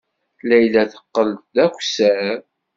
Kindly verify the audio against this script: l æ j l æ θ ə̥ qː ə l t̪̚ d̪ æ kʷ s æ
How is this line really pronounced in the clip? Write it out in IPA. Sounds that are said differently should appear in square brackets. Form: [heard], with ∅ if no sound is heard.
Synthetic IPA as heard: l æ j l æ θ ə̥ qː ə l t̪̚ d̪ æ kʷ s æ

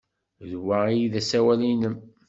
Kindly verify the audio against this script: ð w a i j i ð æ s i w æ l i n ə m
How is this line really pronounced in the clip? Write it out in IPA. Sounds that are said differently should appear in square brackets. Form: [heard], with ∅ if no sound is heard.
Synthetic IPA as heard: ð w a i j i ð æ s [æ] w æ l i n ə m

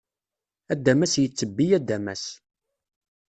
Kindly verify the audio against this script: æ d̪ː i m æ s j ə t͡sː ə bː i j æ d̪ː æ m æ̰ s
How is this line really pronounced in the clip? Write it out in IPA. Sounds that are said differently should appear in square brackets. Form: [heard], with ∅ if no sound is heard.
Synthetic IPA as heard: æ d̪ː [æ] m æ s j ə t͡sː ə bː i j æ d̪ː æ m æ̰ s

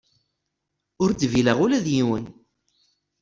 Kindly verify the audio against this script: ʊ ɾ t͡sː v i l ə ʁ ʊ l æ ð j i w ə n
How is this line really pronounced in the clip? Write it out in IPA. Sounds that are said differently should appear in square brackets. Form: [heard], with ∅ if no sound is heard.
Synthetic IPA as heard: ʊ ɾ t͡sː v i l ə ʁ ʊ l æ ð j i w ə n

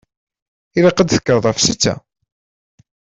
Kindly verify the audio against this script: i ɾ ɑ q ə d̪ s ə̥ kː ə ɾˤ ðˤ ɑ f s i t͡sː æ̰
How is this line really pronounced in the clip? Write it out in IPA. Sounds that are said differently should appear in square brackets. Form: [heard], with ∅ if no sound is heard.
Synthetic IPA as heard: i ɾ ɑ q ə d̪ [θ] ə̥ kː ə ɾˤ ðˤ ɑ f s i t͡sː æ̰

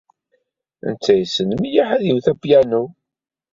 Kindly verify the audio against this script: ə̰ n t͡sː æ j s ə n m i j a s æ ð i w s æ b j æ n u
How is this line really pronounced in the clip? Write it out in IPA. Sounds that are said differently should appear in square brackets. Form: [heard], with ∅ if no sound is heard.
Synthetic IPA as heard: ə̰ n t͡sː æ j s ə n m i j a [ħ] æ ð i w [θ] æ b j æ n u

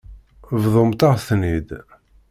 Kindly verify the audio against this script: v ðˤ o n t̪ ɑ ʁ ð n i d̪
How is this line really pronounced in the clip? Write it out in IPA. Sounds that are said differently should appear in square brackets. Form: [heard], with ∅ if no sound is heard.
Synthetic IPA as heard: v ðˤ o [m] t̪ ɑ ʁ [θ] n i d̪

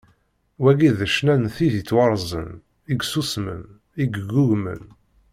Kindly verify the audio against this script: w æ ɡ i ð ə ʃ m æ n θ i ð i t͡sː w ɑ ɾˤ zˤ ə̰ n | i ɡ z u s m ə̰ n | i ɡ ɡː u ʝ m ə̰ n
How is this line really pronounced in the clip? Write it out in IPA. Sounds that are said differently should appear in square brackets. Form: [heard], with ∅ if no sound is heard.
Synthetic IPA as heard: w æ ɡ i ð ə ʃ [n] æ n θ i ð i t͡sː w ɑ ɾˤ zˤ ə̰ n | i ɡ [s] u s m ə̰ n | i ɡ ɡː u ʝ m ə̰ n

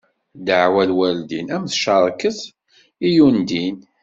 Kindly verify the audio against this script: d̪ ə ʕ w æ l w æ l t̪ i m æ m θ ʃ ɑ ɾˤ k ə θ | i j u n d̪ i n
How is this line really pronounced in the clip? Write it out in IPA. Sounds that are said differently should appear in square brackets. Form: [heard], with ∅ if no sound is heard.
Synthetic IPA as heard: d̪ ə ʕ w æ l w æ l [d̪] i [n] æ m θ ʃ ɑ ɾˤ k ə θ | i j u n d̪ i n

